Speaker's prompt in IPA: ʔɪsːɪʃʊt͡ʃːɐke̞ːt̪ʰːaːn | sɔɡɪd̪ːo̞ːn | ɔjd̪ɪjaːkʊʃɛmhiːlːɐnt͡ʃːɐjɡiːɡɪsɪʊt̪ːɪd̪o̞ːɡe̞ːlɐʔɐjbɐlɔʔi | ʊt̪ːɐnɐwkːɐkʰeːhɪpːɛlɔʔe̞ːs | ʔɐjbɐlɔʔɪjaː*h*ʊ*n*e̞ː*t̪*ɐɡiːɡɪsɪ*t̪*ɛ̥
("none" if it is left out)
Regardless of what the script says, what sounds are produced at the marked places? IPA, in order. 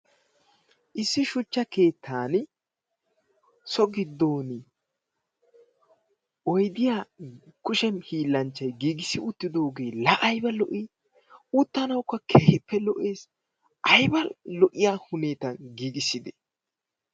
h, n, t̪, d̪

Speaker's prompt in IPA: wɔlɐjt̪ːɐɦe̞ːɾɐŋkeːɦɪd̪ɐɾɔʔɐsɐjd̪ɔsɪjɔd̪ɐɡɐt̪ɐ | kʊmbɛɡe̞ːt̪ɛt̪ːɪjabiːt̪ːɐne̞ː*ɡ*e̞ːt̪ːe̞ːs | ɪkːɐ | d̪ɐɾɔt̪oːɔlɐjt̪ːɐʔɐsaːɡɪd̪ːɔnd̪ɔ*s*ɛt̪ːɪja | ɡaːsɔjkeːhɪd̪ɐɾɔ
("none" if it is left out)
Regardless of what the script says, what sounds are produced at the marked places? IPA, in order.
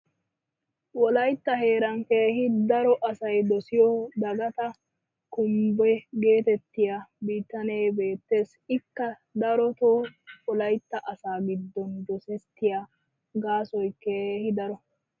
b, s

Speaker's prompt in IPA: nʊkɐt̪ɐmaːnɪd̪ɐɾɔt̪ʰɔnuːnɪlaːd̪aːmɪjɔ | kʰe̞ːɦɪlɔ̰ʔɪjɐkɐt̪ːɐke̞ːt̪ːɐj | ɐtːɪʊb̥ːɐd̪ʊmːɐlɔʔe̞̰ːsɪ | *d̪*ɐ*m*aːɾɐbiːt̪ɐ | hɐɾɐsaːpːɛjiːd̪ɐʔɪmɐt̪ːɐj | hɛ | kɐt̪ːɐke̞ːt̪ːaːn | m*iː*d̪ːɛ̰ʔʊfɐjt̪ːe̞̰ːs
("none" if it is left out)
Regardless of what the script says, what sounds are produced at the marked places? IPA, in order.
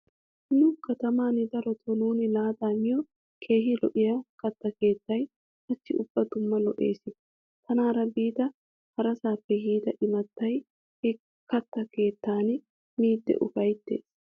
t̪, n, iː

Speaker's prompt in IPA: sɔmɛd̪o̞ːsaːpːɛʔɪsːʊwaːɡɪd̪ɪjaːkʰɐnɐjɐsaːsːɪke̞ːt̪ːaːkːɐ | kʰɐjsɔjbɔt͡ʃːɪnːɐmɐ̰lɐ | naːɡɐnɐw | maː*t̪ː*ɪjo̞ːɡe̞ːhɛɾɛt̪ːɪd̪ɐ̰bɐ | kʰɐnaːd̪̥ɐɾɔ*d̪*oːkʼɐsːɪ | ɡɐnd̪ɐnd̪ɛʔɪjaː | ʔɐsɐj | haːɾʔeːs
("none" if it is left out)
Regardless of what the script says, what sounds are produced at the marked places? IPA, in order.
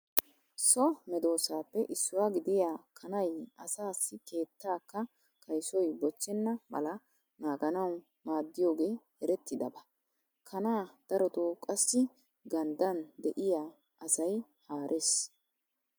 d̪ː, t̪

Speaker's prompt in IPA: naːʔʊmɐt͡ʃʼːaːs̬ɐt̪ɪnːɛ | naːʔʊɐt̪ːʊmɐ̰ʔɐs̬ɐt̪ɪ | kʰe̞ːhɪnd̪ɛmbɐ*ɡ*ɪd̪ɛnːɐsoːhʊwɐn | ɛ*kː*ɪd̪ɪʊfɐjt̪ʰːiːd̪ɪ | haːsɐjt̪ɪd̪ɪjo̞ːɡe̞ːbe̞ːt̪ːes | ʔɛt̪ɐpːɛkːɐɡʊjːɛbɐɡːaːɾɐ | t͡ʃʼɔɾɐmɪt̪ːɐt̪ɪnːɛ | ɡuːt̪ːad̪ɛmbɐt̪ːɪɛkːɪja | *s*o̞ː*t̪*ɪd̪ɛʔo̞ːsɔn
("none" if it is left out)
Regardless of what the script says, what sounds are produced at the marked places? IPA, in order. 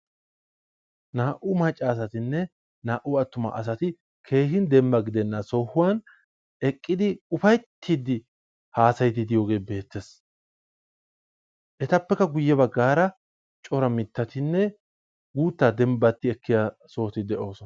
ɡ, kʼː, s, t̪

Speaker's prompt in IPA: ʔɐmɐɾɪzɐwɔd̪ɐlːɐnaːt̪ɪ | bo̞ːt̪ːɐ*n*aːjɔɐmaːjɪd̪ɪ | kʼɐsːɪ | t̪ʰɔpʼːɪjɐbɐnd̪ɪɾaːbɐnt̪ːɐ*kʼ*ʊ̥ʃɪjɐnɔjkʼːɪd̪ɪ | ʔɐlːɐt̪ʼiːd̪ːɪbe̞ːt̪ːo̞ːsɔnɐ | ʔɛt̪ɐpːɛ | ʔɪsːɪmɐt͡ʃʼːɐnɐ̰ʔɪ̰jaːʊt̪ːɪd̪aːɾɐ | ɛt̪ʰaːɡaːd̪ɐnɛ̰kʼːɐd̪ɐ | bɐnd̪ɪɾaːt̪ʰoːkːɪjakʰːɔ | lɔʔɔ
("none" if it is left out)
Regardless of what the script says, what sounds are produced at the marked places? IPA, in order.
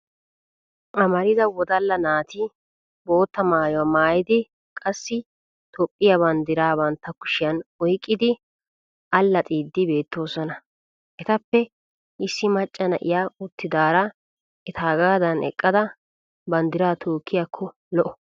m, k

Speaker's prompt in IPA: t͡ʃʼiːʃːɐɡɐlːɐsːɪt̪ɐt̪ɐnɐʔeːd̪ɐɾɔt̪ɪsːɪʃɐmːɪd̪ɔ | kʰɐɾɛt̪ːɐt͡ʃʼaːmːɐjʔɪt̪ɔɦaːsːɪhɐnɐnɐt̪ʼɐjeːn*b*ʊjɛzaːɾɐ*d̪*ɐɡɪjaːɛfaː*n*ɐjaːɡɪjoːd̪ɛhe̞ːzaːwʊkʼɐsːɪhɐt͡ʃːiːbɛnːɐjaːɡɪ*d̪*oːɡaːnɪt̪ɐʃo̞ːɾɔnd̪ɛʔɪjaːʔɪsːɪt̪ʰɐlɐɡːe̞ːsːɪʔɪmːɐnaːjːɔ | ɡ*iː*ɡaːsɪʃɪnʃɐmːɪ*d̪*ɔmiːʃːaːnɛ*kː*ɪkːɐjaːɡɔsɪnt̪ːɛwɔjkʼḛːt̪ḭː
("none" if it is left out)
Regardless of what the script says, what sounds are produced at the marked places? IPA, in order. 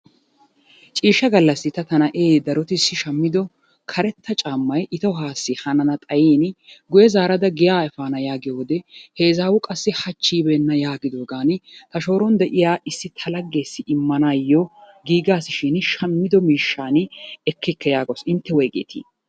ɡ, d̪, n, d̪, iː, d̪, kː

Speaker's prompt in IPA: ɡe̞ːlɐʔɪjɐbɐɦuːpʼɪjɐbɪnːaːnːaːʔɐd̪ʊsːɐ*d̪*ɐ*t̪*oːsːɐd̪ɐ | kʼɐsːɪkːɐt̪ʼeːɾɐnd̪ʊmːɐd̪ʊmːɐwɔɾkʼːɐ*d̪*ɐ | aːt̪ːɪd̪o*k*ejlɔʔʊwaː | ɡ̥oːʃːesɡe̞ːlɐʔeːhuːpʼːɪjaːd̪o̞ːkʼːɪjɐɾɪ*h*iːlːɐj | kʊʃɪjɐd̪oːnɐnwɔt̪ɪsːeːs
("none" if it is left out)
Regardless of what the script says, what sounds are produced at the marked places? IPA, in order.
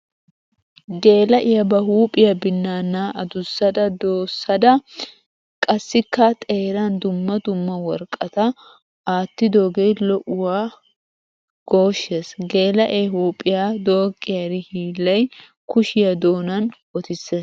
d̪, d̪, t̪, ɡ, h

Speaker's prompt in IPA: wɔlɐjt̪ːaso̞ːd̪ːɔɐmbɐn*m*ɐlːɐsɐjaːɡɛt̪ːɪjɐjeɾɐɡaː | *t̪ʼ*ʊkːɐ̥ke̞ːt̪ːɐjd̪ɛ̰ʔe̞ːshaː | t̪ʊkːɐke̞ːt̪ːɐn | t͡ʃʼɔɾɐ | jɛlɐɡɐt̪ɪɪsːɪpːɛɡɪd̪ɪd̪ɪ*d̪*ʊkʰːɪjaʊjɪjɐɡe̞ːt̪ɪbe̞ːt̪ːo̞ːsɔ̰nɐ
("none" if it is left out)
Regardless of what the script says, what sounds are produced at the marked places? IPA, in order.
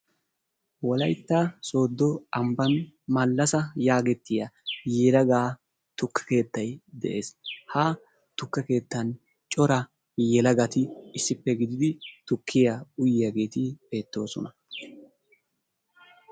m, t̪, t̪

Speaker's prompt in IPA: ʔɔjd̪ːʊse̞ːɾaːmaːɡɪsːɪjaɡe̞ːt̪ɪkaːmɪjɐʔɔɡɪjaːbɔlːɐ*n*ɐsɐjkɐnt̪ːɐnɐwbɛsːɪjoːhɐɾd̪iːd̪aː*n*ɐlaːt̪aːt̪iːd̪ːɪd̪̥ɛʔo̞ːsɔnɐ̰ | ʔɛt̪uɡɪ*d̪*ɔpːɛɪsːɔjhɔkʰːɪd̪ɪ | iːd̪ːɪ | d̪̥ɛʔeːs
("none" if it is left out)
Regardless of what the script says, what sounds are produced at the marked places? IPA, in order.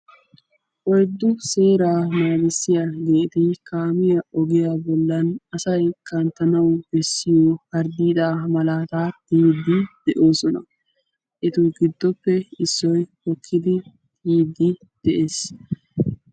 n, m, d̪ː

